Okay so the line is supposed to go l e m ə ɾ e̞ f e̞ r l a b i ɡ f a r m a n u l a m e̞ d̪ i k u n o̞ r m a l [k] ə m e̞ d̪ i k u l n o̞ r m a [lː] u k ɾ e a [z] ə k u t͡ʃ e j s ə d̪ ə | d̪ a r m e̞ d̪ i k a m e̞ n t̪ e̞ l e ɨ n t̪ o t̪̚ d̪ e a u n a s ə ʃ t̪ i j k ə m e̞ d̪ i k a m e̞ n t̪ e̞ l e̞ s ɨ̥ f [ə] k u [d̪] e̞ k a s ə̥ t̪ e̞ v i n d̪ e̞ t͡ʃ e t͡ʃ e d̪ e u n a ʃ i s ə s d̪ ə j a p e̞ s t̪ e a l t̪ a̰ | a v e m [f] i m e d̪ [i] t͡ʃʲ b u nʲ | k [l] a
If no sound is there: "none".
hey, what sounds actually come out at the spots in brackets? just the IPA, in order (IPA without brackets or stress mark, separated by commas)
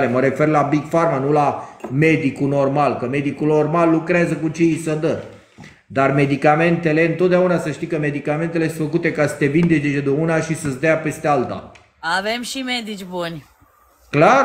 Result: k, lː, z, ə, t̪, ʃ, i, l